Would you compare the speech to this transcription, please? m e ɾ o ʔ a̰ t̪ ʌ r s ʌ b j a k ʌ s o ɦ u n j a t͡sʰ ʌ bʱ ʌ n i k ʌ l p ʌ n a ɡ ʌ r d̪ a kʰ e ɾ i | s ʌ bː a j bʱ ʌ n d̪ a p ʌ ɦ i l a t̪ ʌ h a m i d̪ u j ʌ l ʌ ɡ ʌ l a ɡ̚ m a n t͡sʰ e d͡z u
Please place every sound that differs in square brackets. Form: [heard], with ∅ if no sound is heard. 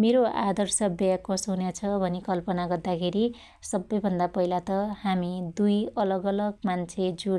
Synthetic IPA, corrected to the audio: m e ɾ o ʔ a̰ [d̪] ʌ r s ʌ b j a k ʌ s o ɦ u n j a t͡sʰ ʌ bʱ ʌ n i k ʌ l p ʌ n a ɡ ʌ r d̪ a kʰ e ɾ i | s ʌ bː [ʌ] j bʱ ʌ n d̪ a p ʌ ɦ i l a t̪ ʌ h a m i d̪ u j ʌ l ʌ ɡ ʌ l [ʌ] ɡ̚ m a n t͡sʰ e d͡z u